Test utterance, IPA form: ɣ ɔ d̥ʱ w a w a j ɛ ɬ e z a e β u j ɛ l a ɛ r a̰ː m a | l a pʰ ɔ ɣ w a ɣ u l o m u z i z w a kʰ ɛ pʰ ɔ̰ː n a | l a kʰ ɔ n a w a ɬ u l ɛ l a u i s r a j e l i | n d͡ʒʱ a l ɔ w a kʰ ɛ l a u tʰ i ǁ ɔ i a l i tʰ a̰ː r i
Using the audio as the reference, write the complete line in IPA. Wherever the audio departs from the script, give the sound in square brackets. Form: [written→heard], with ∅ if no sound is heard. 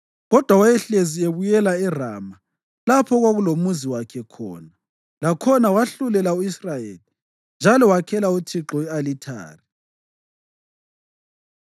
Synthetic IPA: ɣ ɔ d̥ʱ w a w a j ɛ ɬ e z [a→i] e β u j ɛ l a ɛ r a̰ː m a | l a pʰ ɔ ɣ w a ɣ u l o m u z i [z→∅] w a kʰ ɛ [pʰ→kʰ] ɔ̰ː n a | l a kʰ ɔ n a w a ɬ u l ɛ l a u i s r a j e l i | n d͡ʒʱ a l ɔ w a kʰ ɛ l a u tʰ i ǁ ɔ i a l i tʰ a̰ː r i